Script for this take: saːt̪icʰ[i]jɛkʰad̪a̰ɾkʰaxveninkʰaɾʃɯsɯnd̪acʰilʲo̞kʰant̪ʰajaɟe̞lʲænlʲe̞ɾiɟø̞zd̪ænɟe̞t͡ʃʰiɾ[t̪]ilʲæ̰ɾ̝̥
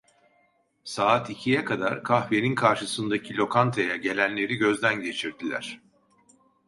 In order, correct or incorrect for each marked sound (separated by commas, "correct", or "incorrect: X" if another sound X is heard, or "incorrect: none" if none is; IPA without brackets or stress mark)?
correct, incorrect: d̪